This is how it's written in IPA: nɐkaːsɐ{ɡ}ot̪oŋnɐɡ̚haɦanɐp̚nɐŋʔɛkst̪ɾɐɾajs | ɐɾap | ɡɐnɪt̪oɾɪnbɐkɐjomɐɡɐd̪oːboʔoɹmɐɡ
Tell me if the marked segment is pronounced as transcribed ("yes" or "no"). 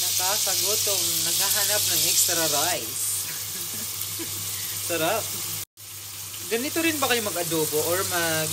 yes